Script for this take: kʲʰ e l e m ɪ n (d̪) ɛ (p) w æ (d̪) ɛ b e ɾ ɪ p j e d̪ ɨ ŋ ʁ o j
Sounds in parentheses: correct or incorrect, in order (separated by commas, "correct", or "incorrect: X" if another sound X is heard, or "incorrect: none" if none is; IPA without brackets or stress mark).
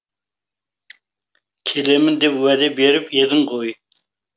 correct, correct, correct